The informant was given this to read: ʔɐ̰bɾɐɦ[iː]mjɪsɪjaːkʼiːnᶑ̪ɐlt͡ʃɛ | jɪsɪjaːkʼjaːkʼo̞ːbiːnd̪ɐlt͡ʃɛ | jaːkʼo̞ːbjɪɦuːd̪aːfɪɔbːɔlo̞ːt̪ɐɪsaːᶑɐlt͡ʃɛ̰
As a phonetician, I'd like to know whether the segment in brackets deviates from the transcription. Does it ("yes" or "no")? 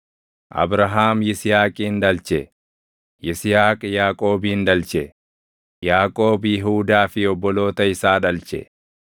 yes